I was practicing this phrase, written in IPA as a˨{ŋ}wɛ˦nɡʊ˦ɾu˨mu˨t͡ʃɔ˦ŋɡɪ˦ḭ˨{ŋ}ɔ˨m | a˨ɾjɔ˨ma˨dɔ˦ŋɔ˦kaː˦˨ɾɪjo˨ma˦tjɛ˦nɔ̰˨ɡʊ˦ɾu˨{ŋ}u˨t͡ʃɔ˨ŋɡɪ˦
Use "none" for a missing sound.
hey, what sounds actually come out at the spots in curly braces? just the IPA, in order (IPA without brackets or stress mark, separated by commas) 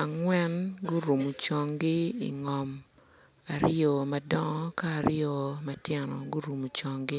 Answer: ŋ, ŋ, m